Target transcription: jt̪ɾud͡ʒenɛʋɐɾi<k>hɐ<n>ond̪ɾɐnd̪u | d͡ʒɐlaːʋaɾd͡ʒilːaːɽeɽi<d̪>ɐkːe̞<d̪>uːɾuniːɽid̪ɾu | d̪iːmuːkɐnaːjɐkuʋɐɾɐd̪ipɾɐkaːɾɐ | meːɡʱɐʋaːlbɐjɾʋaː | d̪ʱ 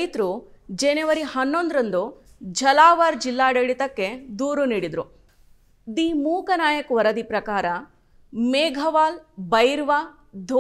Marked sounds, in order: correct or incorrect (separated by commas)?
incorrect, incorrect, incorrect, correct